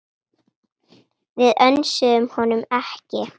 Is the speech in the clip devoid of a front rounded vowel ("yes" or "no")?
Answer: no